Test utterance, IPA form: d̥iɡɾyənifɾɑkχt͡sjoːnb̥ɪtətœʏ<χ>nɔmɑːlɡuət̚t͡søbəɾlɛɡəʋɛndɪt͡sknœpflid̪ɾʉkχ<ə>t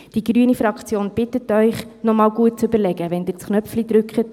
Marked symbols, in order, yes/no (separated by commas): yes, yes